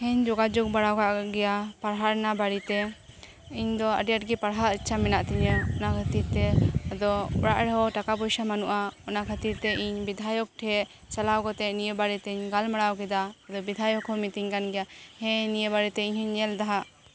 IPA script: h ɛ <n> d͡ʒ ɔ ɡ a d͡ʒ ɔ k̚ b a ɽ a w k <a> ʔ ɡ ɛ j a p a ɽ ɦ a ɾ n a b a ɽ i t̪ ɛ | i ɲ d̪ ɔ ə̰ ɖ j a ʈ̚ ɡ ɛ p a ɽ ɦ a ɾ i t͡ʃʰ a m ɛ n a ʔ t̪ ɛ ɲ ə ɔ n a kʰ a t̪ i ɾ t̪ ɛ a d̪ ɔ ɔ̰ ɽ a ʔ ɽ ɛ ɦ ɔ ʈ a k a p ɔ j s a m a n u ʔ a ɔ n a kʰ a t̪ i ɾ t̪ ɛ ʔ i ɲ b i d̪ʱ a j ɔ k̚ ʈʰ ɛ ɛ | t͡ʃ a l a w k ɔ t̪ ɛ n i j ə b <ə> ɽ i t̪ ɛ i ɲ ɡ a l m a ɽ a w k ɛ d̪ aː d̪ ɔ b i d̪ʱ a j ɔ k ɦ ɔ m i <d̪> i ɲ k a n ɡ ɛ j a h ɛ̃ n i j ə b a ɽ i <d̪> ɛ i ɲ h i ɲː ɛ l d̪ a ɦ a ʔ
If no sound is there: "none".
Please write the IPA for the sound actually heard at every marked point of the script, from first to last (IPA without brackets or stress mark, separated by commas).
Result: ɲ, a, a, t̪, t̪